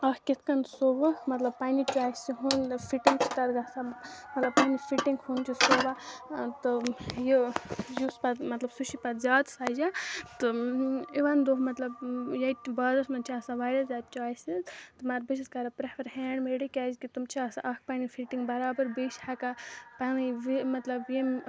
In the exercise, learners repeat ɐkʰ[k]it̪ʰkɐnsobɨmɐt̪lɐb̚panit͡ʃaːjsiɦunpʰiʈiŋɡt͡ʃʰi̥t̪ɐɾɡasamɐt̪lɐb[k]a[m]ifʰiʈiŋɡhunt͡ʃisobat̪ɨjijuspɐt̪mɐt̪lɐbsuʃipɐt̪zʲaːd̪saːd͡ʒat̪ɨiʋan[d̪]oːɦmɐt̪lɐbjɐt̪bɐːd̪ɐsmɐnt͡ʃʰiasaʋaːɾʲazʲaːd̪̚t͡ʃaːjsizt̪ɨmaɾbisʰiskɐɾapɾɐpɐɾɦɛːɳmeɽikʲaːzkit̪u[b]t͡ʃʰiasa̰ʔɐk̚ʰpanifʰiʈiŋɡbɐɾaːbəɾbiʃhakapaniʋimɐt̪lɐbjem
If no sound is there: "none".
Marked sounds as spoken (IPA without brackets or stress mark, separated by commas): k, p, n, d̪, m